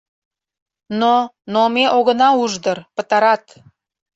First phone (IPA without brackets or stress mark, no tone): n